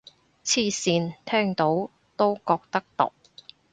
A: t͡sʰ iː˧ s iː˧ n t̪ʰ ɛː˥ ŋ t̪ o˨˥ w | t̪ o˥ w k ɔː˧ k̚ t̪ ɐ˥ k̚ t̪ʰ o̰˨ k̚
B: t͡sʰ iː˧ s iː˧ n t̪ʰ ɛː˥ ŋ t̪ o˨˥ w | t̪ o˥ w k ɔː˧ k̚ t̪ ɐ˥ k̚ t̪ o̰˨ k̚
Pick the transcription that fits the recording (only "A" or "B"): B